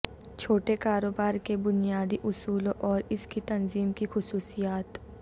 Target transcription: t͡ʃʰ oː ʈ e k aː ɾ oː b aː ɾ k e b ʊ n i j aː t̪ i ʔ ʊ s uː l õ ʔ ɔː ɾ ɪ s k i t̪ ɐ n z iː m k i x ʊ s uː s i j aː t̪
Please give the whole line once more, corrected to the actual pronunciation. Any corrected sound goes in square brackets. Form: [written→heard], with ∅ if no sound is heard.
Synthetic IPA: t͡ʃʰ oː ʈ e k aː ɾ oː b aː ɾ k e b ʊ n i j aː [t̪→d̪] i ʔ ʊ s uː l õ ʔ ɔː ɾ ɪ s k i t̪ ɐ n z iː m k i x ʊ s uː s i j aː t̪